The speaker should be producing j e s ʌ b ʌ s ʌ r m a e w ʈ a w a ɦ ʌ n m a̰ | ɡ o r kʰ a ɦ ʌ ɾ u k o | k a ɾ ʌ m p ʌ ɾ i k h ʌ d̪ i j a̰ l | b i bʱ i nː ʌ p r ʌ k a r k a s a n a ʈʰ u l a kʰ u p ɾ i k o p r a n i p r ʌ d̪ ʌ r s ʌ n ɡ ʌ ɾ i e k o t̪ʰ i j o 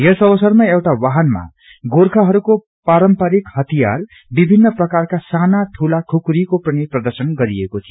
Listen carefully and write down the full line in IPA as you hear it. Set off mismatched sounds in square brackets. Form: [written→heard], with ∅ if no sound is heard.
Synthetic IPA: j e s ʌ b ʌ s ʌ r m a e w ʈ a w a ɦ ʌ n m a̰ | ɡ o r kʰ a ɦ ʌ ɾ u k o | [k→p] a ɾ ʌ m p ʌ ɾ i k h ʌ [d̪→t̪] i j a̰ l | b i bʱ i nː ʌ p r ʌ k a r k a s a n a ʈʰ u l a kʰ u [p→k] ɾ i k o p r [a→ʌ] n i p r ʌ d̪ ʌ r s ʌ n ɡ ʌ ɾ i e k o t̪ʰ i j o